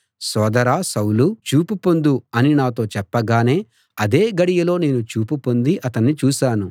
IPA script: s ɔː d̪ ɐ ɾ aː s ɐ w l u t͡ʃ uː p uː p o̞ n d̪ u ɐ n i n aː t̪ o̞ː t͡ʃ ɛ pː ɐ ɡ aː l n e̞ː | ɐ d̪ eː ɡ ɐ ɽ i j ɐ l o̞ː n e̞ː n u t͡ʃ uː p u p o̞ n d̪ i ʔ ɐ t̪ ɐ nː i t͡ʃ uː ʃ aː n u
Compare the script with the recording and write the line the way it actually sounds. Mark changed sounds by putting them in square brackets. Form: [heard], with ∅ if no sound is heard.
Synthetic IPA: s ɔː d̪ ɐ ɾ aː s ɐ w l u t͡ʃ uː p [u] p o̞ n d̪ u ɐ n i n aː t̪ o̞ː t͡ʃ ɛ pː ɐ ɡ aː [∅] n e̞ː | ɐ d̪ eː ɡ ɐ ɽ i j ɐ l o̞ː n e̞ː n u t͡ʃ uː p u p o̞ n d̪ i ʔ ɐ t̪ ɐ nː i t͡ʃ uː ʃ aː n u